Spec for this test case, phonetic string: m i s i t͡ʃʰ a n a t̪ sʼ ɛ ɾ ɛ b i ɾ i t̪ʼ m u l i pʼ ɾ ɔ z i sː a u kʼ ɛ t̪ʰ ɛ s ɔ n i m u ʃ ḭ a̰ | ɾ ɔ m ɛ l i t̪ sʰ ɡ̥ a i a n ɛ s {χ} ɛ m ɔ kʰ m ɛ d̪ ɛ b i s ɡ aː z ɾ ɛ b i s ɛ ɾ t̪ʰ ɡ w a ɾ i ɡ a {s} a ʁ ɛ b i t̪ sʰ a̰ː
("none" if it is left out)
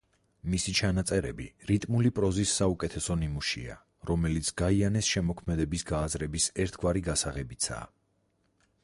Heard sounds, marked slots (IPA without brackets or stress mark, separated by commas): ʃ, s